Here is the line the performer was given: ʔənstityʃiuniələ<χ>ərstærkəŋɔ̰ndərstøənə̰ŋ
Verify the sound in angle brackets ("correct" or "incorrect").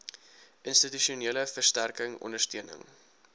incorrect